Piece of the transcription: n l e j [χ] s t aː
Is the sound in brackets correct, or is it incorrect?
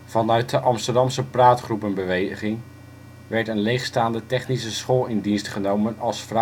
correct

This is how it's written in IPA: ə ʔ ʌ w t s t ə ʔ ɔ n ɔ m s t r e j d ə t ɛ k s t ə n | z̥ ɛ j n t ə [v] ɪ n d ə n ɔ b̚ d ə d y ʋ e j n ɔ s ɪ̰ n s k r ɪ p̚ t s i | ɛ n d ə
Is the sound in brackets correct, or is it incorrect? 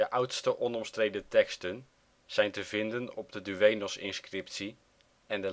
correct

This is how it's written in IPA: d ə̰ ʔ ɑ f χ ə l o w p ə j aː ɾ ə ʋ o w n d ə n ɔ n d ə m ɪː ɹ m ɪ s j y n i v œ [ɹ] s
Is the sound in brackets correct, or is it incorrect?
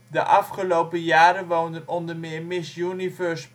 correct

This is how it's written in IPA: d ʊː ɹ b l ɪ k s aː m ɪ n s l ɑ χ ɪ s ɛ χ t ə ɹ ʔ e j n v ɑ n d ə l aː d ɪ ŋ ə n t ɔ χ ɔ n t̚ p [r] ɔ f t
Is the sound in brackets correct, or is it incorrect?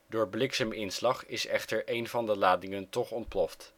incorrect: l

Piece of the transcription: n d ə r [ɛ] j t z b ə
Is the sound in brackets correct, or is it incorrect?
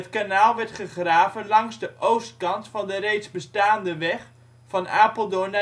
incorrect: e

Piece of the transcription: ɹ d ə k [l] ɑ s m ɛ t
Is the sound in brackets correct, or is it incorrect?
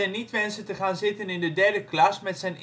correct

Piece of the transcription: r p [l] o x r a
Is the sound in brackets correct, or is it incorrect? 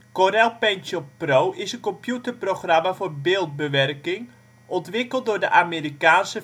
incorrect: r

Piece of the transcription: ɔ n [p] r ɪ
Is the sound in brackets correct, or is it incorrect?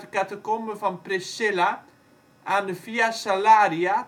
correct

